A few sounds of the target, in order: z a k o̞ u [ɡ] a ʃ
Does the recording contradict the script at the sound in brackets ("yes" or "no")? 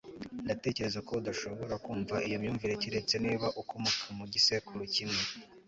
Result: yes